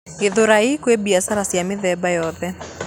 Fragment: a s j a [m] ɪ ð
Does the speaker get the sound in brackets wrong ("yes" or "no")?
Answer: no